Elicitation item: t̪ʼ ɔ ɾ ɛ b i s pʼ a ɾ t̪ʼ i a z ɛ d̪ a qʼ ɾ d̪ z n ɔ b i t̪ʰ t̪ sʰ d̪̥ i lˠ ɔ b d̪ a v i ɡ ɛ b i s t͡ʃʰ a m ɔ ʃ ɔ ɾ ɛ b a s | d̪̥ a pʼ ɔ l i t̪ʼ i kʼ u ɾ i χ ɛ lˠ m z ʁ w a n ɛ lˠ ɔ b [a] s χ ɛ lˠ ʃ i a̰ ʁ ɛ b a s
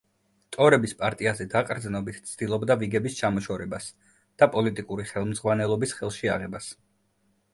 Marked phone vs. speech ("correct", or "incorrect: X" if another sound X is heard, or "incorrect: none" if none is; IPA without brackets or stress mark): incorrect: i